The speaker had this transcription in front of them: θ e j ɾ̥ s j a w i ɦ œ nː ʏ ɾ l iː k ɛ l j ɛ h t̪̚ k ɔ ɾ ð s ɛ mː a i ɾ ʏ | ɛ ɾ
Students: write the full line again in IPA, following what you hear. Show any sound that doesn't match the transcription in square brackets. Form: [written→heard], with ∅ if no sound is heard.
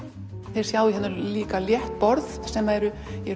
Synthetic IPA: θ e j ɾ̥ s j a w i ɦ [œ→ɛ] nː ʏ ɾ l iː k [ɛ→a] l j ɛ h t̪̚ [k→p] ɔ ɾ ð s ɛ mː a [i→ɛ] ɾ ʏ | ɛ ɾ